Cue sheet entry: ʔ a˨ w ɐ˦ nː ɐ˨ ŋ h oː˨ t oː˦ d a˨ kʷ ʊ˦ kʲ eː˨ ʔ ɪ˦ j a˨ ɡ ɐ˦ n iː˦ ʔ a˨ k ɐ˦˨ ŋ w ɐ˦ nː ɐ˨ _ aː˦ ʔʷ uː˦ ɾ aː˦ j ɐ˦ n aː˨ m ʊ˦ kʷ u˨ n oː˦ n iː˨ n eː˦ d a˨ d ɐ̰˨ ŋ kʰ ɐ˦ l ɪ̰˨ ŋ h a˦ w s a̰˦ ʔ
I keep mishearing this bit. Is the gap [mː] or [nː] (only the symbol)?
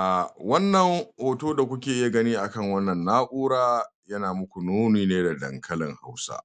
nː